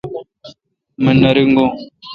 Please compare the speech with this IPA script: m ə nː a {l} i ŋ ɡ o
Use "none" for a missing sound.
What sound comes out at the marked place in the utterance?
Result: ɾ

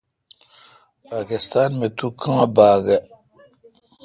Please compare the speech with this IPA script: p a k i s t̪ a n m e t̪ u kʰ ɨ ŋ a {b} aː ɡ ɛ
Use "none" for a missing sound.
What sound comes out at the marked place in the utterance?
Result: b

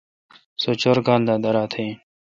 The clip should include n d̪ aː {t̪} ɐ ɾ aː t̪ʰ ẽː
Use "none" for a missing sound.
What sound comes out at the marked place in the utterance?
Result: d̪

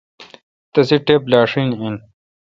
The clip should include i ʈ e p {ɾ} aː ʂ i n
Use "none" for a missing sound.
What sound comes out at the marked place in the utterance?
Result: l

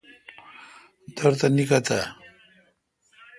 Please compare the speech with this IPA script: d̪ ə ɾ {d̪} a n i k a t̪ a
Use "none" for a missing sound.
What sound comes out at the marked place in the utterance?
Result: t̪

